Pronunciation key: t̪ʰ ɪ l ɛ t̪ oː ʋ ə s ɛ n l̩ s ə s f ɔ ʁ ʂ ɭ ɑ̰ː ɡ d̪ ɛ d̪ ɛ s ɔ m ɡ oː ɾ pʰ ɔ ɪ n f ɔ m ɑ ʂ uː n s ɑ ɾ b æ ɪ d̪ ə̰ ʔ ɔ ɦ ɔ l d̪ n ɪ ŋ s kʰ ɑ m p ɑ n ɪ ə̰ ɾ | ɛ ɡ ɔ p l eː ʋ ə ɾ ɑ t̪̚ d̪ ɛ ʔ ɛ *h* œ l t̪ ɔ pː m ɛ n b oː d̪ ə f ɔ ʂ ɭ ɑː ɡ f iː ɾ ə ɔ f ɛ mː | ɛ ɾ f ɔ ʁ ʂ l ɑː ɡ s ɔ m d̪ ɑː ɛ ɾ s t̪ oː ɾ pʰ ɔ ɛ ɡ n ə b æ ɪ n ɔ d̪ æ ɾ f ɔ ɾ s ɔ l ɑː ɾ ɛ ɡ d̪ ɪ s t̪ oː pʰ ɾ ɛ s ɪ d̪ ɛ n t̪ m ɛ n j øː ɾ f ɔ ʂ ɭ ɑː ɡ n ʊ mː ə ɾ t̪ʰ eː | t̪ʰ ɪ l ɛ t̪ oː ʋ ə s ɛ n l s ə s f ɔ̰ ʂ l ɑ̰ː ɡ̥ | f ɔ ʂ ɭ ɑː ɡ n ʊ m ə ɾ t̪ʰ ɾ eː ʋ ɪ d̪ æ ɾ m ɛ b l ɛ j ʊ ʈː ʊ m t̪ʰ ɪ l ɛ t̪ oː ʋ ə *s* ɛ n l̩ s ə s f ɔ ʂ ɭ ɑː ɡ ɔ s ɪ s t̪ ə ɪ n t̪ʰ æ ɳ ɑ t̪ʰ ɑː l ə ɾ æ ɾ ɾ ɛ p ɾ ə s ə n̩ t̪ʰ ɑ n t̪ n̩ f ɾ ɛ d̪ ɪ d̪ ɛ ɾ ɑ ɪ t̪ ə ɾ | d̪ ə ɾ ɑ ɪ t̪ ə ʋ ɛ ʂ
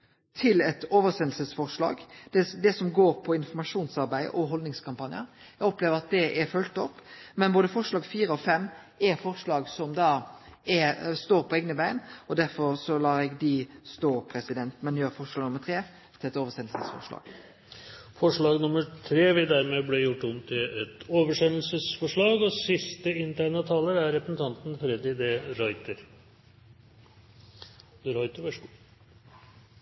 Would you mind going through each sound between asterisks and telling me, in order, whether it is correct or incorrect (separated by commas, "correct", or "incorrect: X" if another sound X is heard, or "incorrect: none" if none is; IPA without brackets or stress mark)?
incorrect: f, incorrect: ʂ